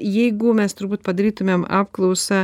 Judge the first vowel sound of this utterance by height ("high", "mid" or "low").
mid